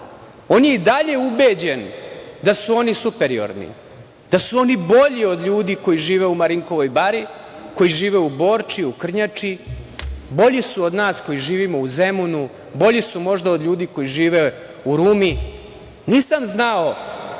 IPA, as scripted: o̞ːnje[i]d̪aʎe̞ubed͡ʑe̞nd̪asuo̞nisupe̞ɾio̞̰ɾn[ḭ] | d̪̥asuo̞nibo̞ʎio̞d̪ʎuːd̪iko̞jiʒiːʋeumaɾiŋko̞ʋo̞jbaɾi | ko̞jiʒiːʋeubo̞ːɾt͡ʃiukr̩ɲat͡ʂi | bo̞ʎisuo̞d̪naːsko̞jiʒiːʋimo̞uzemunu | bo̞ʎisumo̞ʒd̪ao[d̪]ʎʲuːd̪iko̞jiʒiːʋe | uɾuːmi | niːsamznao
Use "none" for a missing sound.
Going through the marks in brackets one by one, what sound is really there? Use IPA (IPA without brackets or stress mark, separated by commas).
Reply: i, ḭ, d̪